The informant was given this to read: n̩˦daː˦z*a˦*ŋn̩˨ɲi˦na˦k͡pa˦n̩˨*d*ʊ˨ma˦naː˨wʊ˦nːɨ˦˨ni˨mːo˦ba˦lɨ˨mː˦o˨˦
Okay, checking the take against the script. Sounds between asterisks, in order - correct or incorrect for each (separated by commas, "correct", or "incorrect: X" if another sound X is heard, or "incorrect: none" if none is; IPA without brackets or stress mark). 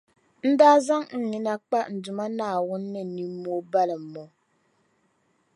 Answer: correct, correct